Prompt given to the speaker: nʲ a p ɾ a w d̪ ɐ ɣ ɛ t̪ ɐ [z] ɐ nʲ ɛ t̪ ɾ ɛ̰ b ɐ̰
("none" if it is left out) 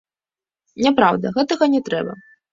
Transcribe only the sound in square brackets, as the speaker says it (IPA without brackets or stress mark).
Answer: ɣ